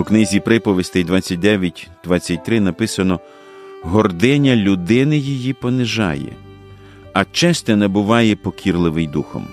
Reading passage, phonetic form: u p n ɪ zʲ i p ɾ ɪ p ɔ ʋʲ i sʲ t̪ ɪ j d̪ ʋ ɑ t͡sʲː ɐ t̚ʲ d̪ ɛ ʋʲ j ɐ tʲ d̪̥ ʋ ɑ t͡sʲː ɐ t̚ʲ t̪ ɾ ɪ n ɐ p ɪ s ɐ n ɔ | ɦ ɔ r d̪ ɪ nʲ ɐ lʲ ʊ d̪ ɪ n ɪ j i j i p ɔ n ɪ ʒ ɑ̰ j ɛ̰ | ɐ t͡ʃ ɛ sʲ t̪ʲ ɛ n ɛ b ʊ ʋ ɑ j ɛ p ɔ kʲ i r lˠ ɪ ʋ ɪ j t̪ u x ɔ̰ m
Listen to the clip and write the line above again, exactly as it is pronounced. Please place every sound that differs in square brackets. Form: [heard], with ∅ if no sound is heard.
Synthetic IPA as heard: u [k] n ɪ zʲ i p ɾ ɪ p ɔ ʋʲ i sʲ t̪ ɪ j d̪ ʋ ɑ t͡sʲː ɐ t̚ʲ d̪ ɛ ʋʲ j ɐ tʲ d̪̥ ʋ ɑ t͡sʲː ɐ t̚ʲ t̪ ɾ ɪ n ɐ p ɪ s ɐ n ɔ | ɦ ɔ r d̪ ɪ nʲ ɐ lʲ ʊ d̪ ɪ n ɪ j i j i p ɔ n ɪ ʒ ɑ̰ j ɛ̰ | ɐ t͡ʃ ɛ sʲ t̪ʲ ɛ n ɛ b ʊ ʋ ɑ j ɛ p ɔ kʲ i r lˠ ɪ ʋ ɪ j [d̪] u x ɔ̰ m